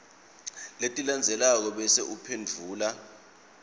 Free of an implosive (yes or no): no